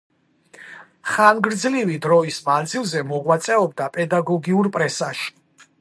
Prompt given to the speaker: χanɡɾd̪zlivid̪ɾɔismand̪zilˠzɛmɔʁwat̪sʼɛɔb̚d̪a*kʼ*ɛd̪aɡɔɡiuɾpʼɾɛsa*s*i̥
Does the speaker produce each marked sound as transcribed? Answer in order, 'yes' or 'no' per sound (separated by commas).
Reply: no, no